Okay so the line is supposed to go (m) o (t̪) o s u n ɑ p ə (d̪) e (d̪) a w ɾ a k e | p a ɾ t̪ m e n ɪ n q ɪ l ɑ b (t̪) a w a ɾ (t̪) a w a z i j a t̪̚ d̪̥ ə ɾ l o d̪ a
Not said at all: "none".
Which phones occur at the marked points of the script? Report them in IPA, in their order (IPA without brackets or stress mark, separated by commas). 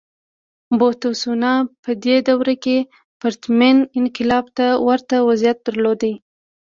b, t̪, d̪, d̪, t̪, t̪